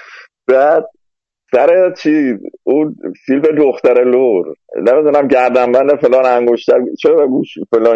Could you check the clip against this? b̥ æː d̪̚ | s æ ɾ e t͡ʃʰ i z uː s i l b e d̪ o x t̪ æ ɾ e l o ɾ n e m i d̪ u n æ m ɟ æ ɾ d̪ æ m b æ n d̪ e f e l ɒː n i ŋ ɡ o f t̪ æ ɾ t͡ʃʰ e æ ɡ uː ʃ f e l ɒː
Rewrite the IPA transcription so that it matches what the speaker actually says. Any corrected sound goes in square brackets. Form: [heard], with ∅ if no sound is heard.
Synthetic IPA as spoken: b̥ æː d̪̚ | s æ ɾ e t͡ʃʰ i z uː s i l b e d̪ o x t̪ æ ɾ e l o ɾ n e m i d̪ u n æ m ɟ æ ɾ d̪ æ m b æ n d̪ e f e l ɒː n [æ] ŋ ɡ o [ʃ] t̪ æ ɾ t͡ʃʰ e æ ɡ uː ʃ f e l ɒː